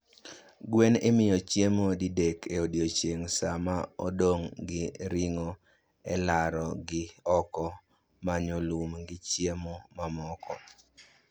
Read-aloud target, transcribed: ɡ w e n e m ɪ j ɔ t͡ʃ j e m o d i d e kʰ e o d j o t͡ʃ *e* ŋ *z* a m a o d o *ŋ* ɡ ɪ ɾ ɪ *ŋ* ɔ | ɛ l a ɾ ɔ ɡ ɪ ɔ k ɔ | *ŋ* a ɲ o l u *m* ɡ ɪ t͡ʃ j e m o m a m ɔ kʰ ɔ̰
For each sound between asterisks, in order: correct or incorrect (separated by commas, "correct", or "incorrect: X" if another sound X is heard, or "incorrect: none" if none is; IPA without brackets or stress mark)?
correct, incorrect: s, correct, correct, incorrect: m, correct